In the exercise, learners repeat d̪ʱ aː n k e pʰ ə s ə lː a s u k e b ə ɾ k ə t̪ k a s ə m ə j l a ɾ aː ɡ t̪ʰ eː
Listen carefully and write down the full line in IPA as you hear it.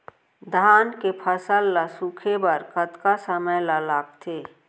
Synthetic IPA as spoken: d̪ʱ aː n k e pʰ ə s ə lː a s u kʰ e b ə ɾ k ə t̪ k a s ə m ə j l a l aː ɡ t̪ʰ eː

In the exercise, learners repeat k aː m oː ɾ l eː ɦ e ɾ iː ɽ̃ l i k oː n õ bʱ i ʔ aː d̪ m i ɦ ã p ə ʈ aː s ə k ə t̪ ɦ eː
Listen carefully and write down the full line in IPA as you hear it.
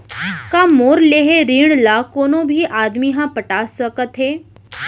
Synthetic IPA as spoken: k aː m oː ɾ l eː ɦ e ɾ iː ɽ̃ l a k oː n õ bʱ i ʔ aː d̪ m i ɦ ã p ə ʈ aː s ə k ə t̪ ɦ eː

